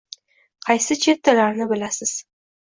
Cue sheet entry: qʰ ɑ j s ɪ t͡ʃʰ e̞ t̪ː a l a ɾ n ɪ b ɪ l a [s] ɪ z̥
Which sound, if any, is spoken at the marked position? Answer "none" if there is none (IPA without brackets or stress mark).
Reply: s